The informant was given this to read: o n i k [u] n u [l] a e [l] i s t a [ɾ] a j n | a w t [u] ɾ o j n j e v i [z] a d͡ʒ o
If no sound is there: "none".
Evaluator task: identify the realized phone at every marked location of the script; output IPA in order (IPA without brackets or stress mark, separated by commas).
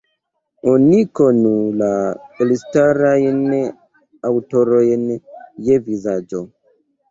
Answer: o, l, l, ɾ, o, z